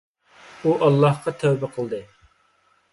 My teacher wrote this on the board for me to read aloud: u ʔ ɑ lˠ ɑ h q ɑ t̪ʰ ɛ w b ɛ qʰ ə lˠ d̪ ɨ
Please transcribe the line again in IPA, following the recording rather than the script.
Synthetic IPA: u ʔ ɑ lˠː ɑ h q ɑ t̪ʰ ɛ w b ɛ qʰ ə lˠ d̪ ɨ